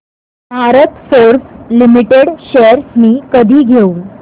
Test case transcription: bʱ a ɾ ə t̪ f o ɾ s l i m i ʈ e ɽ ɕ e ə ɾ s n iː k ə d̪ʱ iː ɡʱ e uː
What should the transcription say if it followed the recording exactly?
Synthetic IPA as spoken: bʱ a ɾ ə t̪ f o ɾ s l i m i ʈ e ɽ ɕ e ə ɾ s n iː k ə d̪ʱ iː ɡʱ e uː